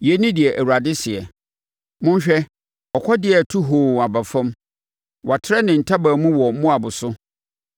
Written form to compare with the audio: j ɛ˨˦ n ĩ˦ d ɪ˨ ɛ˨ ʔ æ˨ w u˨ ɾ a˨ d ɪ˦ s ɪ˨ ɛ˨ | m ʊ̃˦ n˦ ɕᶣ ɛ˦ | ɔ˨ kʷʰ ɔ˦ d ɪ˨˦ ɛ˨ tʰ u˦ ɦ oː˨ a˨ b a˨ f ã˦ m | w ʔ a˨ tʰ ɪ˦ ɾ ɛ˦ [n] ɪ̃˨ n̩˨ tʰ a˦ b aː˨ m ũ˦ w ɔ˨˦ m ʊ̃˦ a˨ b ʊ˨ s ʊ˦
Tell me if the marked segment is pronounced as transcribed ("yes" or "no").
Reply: yes